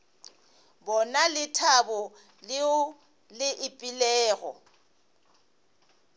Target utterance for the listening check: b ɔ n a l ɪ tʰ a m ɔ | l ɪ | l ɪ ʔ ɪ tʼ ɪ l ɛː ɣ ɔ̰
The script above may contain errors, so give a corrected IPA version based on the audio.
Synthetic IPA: b ɔ n a l ɪ tʰ a b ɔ | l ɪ | l ɪ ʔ ɪ pʼ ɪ l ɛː ɣ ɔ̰